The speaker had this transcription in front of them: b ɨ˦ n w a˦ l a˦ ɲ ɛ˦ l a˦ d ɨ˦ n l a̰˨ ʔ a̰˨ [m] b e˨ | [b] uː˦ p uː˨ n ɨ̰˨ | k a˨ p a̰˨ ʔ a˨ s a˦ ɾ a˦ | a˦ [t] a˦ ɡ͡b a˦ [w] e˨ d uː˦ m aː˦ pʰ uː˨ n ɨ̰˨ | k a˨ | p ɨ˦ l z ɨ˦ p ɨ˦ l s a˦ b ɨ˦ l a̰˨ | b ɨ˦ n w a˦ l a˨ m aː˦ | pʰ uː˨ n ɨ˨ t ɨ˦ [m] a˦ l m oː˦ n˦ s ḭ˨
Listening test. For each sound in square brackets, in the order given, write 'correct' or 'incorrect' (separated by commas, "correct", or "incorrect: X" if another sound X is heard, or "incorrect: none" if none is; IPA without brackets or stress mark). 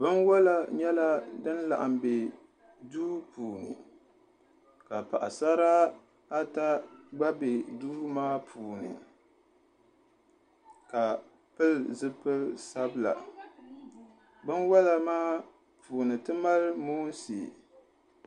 correct, incorrect: d, correct, incorrect: b, correct